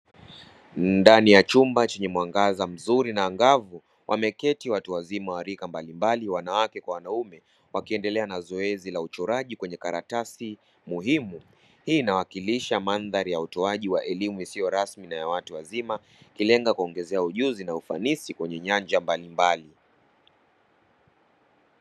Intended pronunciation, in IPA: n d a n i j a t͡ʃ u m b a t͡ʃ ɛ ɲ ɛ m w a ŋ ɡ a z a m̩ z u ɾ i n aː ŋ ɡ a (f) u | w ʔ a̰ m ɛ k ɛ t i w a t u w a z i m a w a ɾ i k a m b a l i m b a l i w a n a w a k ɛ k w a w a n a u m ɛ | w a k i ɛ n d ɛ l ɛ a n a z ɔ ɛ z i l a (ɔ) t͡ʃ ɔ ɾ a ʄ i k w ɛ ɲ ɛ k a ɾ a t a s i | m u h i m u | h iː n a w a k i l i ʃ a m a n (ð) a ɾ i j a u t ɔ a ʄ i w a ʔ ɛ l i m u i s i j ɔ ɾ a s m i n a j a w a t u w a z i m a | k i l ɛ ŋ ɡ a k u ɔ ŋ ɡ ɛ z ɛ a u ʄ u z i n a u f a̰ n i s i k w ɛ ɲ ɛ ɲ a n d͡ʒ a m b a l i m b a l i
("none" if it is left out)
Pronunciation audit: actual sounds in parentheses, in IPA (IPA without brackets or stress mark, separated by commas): v, u, ð